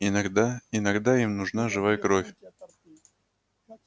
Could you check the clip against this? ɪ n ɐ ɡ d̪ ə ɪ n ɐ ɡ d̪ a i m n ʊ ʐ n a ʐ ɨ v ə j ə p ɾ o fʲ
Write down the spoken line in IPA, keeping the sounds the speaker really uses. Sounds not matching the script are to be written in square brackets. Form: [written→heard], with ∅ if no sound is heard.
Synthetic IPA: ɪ n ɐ ɡ d̪ [ə→a] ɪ n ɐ ɡ d̪ a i m n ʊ ʐ n a ʐ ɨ v [ə→a] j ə [p→k] ɾ o fʲ